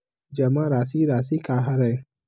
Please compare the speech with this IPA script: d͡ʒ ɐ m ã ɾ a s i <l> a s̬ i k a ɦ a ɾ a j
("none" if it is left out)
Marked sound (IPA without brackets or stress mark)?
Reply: ɾ